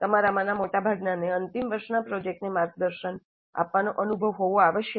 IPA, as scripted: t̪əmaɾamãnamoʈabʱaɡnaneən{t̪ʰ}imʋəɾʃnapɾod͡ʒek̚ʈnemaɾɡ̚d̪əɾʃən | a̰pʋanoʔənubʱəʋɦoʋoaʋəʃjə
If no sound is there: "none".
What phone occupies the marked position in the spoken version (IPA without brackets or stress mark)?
t̪